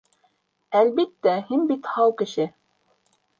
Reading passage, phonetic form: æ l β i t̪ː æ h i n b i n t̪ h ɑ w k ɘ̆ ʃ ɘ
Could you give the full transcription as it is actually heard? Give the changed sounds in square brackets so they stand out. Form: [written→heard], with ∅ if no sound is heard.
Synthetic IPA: æ l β i t̪ː æ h i n b i [n→∅] t̪ h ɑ w k ɘ̆ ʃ ɘ